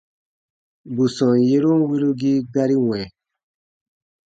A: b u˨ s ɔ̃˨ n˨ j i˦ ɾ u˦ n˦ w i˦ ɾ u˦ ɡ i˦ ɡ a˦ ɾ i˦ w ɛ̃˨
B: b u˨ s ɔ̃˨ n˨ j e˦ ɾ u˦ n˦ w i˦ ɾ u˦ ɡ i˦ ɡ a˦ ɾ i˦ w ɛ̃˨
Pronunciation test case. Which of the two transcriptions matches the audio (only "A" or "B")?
B